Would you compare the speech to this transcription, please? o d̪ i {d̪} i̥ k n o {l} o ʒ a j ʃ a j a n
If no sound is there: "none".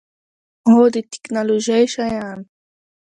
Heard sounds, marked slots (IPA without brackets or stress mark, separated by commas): t̪, l